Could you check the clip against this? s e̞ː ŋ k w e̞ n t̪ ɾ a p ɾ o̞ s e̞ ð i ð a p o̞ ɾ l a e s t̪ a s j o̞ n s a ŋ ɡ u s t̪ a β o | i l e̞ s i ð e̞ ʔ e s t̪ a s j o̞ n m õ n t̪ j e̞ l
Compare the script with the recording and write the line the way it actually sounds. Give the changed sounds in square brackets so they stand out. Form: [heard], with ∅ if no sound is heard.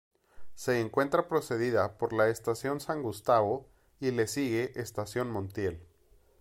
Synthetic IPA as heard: s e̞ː ŋ k w e̞ n t̪ ɾ a p ɾ o̞ s e̞ ð i ð a p o̞ ɾ l a e s t̪ a s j o̞ n s a ŋ ɡ u s t̪ a β o | i l e̞ s i [ɣ] e̞ ʔ e s t̪ a s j o̞ n m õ n t̪ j e̞ l

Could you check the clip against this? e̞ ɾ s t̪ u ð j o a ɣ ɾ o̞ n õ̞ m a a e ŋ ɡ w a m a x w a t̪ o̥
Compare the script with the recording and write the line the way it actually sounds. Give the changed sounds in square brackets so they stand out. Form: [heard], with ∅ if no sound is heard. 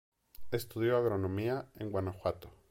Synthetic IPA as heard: e̞ [∅] s t̪ u ð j o a ɣ ɾ o̞ n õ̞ m [i] a e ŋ ɡ w a [n] a x w a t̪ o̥

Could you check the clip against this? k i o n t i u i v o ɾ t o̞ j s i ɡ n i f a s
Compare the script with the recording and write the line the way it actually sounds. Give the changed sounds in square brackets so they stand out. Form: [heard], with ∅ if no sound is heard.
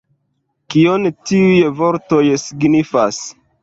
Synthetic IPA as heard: k i o n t i u [j] v o ɾ t o̞ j s i ɡ n i f a s

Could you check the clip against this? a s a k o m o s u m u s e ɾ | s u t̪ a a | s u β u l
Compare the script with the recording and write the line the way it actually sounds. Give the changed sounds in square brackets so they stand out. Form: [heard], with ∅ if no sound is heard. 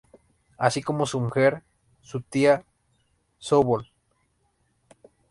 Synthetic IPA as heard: a s [i] k o m o s u m u [x] e ɾ | s u t̪ [i] a | s [o] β [o] l

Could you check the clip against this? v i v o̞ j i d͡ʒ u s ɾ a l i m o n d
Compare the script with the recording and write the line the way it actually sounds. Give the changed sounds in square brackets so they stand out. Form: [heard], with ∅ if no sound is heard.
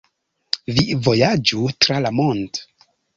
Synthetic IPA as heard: v i v o̞ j [a] d͡ʒ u [t] ɾ a l [a] m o n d

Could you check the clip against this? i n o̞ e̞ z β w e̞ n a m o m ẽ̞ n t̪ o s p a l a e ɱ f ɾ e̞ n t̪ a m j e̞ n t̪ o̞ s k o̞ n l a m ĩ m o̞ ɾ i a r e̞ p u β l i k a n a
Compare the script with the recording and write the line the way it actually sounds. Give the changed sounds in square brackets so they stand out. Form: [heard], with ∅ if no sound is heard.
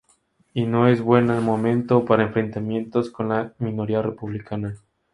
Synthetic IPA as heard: i n o̞ e̞ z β w e̞ n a m o m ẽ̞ n t̪ o [∅] p a [ɾ] a e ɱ f ɾ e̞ n t̪ a m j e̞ n t̪ o̞ s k o̞ n l a m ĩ [n] o̞ ɾ i a r e̞ p u β l i k a n a

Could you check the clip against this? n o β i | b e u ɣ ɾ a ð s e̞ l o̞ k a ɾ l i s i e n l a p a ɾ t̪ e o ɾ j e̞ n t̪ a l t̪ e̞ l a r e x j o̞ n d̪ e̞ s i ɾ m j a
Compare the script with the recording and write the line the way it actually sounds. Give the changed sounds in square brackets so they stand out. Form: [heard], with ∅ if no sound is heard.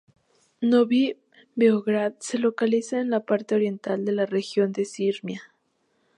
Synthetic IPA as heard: n o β i | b e [o] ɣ ɾ a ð s e̞ l o̞ k a [∅] l i s [a] e n l a p a ɾ t̪ e o ɾ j e̞ n t̪ a l [d̪] e̞ l a r e x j o̞ n d̪ e̞ s i ɾ m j a

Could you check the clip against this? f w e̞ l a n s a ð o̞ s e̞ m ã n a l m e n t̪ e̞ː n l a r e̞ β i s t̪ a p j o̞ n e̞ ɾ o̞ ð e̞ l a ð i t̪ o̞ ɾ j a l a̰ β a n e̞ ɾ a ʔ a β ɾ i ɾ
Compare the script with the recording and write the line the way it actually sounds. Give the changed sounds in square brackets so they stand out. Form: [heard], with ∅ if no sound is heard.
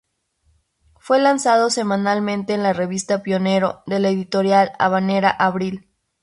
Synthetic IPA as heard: f w e̞ l a n s a ð o̞ s e̞ m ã n a l m [ẽ] n t̪ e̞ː n l a r e̞ β i s t̪ a p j o̞ n e̞ ɾ o̞ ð e̞ l [e] ð i t̪ o̞ ɾ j a l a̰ β a n e̞ ɾ a ʔ a β ɾ i [l]

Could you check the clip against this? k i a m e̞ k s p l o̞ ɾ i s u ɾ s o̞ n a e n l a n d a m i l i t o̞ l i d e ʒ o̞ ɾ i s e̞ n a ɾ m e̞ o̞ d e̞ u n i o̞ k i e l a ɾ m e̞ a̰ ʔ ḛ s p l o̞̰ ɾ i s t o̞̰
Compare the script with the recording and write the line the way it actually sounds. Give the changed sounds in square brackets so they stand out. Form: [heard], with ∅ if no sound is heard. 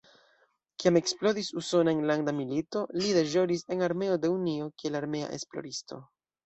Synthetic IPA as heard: k i a m e̞ k s p l o̞ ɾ i s u [∅] s o̞ n a e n l a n d a m i l i t o̞ l i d e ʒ o̞ ɾ i s e̞ n a ɾ m e̞ o̞ d e̞ u n i o̞ k i e l a ɾ m e̞ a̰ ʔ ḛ s p l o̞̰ ɾ i s t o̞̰

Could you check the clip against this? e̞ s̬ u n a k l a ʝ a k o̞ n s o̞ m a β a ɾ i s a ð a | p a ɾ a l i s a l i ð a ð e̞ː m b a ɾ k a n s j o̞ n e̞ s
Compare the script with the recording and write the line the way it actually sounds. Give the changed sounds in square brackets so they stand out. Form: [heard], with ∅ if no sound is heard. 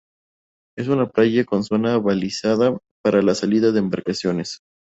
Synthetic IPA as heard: e̞ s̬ u n a [p] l a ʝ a k o̞ n s o̞ [n] a β a [l] i s a ð a | p a ɾ a l [a] s a l i ð a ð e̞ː m b a ɾ k a [∅] s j o̞ n e̞ s

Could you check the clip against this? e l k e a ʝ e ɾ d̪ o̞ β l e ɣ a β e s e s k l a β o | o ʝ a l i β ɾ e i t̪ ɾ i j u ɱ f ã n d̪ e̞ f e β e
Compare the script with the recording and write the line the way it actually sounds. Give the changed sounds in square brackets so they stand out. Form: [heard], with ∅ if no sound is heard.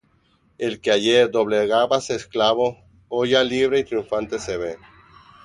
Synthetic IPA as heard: e l k e a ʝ e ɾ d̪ o̞ β l e ɣ a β [a] s e s k l a β o | o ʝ a l i β ɾ e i t̪ ɾ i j u ɱ f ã n [t̪] e̞ [s] e β e

